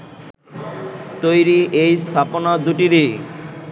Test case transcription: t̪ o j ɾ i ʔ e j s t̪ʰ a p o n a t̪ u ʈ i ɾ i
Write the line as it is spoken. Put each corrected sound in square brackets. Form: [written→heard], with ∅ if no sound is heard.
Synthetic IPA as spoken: t̪ o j ɾ i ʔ e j s t̪ʰ a p o n a [t̪→d̪] u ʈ i ɾ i